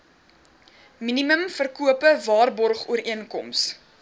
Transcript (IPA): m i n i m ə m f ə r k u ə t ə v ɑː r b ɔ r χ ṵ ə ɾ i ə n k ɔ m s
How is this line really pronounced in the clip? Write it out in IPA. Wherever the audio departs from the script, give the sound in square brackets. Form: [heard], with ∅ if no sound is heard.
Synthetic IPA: m i n i m ə m f ə r k u ə [p] ə v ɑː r b ɔ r χ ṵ ə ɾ i ə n k ɔ m s

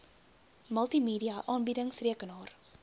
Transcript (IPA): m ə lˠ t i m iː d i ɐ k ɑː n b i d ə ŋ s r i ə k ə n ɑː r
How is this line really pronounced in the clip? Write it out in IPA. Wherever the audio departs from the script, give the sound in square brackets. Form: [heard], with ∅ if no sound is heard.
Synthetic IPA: m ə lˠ t i m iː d i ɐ [ʔ] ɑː n b i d ə ŋ s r i ə k ə n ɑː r

